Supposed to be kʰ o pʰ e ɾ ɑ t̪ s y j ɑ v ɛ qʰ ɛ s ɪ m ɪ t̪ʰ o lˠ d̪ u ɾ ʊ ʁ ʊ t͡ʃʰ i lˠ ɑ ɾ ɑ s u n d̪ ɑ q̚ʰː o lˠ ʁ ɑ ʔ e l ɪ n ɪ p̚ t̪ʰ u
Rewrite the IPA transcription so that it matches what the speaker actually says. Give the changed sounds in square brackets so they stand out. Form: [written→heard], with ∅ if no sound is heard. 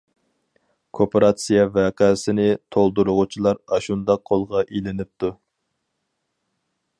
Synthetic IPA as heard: kʰ o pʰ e ɾ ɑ t̪ s [y→i] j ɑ v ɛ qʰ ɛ s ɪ [m→n] ɪ t̪ʰ o lˠ d̪ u ɾ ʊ ʁ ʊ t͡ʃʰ i lˠ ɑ ɾ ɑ [s→ʃ] u n d̪ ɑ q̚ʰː o lˠ ʁ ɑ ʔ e l ɪ n ɪ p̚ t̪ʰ u